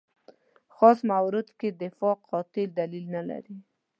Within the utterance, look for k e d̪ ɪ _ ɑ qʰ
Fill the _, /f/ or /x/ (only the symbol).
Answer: f